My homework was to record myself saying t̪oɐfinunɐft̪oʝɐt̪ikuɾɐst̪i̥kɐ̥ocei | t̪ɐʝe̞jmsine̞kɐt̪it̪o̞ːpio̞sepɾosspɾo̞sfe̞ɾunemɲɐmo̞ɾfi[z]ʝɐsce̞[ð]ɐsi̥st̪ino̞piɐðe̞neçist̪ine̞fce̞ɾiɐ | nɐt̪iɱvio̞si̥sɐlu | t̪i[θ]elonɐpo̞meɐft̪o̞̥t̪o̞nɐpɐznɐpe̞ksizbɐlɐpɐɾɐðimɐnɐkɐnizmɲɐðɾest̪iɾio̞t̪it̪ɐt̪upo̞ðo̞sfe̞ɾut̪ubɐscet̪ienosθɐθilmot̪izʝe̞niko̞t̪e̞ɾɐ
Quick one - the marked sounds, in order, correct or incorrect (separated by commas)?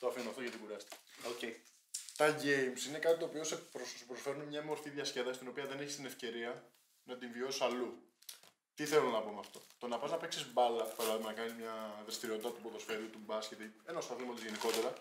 incorrect, correct, correct